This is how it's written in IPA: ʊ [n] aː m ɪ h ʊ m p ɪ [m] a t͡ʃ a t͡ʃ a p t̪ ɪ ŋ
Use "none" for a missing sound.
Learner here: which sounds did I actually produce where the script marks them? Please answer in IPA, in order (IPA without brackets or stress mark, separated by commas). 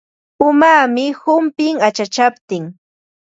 m, ŋ